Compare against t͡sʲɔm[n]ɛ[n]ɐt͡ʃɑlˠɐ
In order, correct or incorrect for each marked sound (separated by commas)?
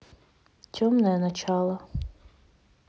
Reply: correct, correct